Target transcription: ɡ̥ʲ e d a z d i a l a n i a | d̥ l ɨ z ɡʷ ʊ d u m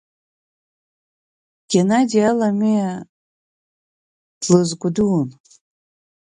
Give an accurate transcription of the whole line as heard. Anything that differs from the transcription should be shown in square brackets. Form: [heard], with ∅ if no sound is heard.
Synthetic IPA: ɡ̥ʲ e [n] a [∅] d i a l a [m] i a | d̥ l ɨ z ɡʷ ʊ d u [n]